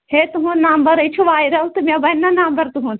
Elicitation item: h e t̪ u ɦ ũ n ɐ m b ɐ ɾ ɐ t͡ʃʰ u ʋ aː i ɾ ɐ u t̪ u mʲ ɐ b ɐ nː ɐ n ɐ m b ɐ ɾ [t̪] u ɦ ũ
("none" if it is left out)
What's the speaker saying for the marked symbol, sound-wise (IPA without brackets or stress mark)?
t̪